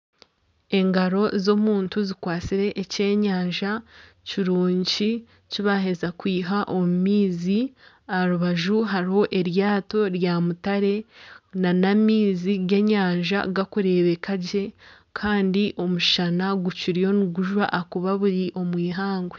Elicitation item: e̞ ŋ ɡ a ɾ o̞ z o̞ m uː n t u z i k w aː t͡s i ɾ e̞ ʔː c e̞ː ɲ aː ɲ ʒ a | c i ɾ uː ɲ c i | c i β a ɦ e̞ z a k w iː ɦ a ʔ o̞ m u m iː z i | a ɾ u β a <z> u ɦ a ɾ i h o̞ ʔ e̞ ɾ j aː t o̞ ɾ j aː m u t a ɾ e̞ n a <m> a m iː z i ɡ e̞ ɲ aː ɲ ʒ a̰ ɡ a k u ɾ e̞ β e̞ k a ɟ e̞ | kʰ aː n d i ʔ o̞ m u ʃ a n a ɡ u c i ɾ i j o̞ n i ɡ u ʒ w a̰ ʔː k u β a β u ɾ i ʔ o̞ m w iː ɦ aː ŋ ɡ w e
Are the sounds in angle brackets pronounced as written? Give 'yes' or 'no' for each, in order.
no, no

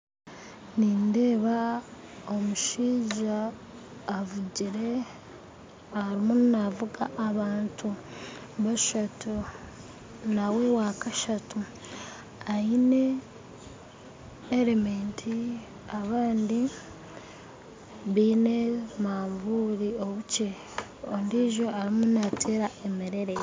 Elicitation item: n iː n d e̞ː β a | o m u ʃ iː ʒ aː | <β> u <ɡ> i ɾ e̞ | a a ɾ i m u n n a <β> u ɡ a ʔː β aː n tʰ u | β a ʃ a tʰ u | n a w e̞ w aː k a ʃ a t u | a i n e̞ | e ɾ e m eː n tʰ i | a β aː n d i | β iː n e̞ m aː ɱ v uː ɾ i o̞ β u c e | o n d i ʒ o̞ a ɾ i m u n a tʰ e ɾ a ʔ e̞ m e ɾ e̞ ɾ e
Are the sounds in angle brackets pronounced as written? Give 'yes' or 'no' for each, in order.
no, no, no

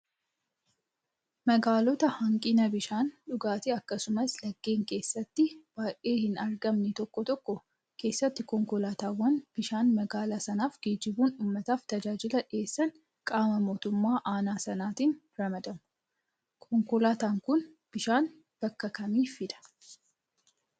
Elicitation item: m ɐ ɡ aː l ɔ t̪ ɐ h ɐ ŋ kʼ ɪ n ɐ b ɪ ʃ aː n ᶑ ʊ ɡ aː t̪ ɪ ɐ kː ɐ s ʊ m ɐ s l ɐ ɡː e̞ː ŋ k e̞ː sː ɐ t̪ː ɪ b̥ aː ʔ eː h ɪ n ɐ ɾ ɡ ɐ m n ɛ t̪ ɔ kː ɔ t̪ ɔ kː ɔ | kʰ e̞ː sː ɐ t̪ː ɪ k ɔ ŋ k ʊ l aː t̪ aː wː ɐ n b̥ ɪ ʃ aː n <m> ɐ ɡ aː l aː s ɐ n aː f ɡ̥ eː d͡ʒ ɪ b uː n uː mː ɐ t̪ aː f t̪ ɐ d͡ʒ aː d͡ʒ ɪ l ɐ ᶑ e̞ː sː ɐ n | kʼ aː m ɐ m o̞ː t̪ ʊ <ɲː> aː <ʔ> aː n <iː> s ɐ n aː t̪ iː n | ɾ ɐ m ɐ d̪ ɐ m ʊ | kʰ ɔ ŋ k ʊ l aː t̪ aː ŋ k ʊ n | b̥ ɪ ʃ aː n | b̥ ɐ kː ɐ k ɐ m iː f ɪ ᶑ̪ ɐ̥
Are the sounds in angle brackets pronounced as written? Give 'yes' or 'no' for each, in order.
yes, no, yes, no

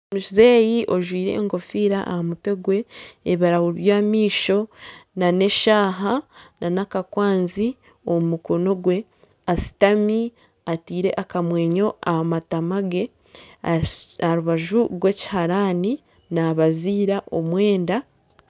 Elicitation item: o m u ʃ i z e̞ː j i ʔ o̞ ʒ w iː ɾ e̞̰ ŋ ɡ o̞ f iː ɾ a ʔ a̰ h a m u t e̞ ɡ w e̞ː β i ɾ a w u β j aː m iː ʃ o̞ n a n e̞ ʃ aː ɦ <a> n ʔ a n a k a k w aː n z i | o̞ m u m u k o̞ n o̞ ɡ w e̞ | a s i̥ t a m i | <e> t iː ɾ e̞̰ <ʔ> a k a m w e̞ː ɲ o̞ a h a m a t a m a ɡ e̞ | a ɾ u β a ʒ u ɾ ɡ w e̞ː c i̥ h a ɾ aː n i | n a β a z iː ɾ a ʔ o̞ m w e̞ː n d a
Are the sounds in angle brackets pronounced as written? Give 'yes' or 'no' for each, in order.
yes, no, yes

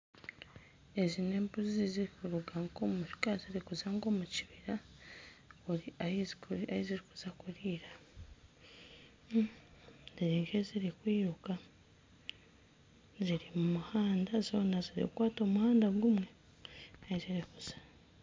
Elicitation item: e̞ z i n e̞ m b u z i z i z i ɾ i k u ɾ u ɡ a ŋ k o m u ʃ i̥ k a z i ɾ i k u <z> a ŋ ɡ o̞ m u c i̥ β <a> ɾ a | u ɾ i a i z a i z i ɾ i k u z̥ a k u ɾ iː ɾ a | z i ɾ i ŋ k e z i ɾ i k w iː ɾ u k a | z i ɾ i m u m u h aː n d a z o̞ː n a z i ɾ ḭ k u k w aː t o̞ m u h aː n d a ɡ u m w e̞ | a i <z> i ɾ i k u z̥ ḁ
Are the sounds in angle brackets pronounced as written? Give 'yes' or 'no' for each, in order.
yes, no, yes

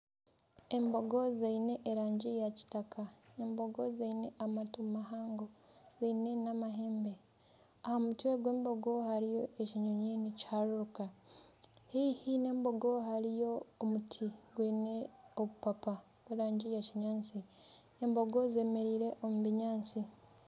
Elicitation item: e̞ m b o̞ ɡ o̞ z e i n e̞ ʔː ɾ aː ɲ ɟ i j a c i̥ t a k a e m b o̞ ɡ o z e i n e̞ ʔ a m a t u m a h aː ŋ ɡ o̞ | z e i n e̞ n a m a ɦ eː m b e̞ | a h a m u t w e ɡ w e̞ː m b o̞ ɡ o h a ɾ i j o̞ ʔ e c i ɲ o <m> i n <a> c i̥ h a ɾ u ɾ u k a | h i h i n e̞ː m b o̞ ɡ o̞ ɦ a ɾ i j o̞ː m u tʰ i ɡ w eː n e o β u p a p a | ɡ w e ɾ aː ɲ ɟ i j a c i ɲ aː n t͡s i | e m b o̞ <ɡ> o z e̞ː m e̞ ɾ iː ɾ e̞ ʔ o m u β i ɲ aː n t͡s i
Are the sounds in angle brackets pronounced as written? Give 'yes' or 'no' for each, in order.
no, no, yes

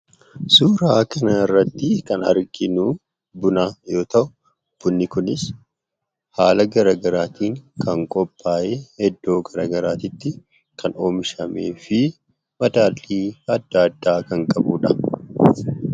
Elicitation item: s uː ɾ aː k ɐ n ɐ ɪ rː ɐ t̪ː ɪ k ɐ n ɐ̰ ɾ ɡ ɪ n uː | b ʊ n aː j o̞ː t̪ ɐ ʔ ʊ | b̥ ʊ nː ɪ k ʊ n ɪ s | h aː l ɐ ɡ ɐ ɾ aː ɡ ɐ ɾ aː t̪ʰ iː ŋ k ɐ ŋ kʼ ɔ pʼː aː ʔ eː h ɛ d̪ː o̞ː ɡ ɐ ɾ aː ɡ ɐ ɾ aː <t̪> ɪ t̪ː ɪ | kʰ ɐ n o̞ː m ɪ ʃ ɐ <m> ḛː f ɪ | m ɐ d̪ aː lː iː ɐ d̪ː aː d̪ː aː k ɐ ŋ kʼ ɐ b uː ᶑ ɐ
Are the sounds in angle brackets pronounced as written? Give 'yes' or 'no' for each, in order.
yes, yes

